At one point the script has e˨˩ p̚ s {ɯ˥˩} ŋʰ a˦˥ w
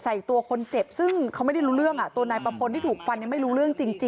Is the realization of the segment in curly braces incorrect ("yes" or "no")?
no